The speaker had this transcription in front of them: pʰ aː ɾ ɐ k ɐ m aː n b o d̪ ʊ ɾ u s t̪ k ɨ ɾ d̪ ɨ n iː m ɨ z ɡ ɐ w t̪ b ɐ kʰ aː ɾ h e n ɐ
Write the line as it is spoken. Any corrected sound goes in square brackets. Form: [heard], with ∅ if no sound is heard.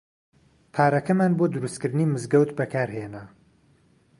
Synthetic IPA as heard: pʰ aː ɾ ɐ k ɐ m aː n b o d̪ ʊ ɾ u s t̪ k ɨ ɾ d̪ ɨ n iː m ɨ z ɡ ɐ w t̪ b ɐ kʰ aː ɾ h e n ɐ